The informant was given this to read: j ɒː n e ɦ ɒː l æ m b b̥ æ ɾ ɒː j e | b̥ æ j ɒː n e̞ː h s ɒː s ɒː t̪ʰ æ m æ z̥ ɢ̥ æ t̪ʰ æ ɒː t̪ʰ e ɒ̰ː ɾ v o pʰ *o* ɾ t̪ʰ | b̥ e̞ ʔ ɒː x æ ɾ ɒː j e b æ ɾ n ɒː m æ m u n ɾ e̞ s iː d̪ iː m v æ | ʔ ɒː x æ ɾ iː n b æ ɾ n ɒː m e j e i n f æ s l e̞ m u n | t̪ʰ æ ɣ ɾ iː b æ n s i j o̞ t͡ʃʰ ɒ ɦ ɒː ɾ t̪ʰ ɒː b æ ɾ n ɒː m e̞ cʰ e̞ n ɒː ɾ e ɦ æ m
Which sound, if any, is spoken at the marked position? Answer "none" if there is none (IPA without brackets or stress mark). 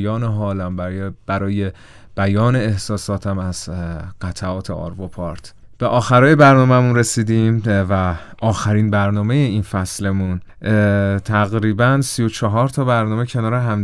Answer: ɒ